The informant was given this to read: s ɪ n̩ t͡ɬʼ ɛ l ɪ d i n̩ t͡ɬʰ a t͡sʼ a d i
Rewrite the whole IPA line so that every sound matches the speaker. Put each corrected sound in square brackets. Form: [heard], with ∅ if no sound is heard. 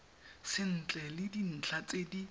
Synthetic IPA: s ɪ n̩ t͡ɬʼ ɛ l ɪ d i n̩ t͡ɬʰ a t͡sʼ [e] d i